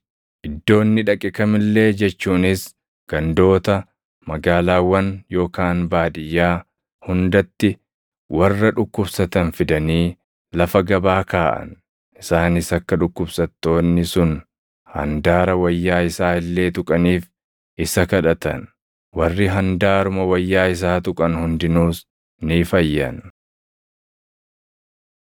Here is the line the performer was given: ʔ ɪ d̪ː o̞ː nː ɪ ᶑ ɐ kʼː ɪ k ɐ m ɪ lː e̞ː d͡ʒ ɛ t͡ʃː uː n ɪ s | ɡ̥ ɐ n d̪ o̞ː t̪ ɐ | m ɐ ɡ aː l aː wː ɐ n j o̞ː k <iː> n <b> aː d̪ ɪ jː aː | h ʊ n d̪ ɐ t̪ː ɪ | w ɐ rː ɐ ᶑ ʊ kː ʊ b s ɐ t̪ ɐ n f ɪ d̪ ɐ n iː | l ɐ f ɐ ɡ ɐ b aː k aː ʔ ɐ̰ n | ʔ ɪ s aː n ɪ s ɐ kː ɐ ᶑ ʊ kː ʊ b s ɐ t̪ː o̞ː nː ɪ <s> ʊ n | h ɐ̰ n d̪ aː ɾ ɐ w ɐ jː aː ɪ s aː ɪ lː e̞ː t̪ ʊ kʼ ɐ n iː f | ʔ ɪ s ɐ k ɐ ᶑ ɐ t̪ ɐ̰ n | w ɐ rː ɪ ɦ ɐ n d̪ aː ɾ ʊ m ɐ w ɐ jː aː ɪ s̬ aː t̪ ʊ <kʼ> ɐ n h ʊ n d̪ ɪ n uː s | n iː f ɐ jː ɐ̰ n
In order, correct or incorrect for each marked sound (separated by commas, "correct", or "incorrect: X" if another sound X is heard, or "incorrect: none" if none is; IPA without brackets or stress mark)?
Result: incorrect: aː, correct, correct, correct